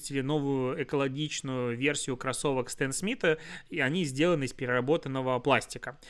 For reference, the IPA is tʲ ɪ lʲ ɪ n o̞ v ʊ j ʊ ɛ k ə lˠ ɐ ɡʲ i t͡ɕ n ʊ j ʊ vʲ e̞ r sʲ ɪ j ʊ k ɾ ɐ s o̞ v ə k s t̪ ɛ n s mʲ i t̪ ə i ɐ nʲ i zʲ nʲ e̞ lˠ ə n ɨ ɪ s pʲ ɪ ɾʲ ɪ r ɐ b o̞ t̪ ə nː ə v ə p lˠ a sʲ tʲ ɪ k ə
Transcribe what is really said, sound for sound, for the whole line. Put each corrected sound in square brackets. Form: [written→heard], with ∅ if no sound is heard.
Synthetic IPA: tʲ ɪ lʲ ɪ n o̞ v ʊ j ʊ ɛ k ə lˠ ɐ ɡʲ i t͡ɕ n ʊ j ʊ vʲ e̞ r sʲ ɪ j ʊ k ɾ ɐ s o̞ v ə k s t̪ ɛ n s mʲ i t̪ ə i ɐ nʲ i zʲ [nʲ→dʲ] e̞ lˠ ə n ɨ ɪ s pʲ ɪ ɾʲ ɪ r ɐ b o̞ t̪ ə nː ə v ə p lˠ a sʲ tʲ ɪ k ə